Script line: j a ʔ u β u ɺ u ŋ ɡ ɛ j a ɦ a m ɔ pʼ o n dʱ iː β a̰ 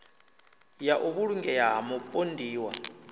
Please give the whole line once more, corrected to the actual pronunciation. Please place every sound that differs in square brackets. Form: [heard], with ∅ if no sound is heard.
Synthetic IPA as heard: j a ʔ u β u ɺ u ŋ ɡ ɛ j a ɦ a m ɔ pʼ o n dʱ iː [w] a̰